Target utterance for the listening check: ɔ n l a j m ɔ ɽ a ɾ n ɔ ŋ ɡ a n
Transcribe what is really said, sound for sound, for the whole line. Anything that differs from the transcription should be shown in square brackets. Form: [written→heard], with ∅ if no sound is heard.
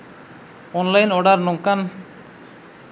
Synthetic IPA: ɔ n l a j [m→n] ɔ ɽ a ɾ n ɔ ŋ [ɡ→k] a n